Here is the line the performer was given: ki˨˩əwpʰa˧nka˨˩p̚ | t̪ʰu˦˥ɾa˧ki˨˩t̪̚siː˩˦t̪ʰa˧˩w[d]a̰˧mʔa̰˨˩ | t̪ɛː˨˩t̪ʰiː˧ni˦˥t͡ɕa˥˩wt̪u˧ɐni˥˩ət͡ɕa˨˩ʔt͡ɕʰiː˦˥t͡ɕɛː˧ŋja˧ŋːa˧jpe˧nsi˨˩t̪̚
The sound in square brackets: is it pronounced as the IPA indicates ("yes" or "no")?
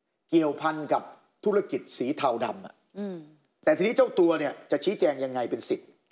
yes